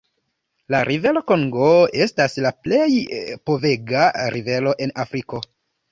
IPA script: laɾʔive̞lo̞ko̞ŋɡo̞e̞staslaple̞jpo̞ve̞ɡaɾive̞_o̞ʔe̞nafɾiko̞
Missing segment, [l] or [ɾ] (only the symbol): l